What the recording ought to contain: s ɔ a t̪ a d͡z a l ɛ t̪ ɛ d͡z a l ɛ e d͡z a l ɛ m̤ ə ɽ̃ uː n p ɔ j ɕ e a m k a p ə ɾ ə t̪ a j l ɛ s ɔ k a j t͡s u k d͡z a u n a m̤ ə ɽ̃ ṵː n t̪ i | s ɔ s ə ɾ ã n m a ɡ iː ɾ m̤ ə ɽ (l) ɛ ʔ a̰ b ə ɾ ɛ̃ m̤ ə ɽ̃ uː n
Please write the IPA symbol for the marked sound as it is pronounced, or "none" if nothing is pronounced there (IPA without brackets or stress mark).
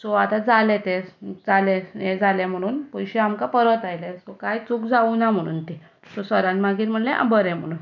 l